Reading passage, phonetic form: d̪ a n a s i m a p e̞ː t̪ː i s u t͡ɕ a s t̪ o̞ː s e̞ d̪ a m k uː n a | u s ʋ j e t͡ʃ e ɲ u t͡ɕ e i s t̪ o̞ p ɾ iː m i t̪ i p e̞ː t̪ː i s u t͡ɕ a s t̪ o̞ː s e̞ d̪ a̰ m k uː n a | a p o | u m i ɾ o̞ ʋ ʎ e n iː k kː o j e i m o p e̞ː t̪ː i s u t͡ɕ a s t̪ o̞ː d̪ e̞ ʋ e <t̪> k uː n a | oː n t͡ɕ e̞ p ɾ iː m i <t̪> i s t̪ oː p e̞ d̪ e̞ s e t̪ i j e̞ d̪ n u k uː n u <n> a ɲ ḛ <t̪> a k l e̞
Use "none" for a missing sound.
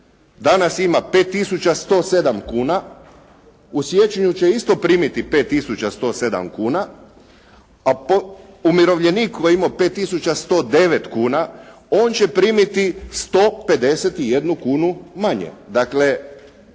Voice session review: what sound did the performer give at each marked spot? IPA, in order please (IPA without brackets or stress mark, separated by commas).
t̪, t̪, m, d̪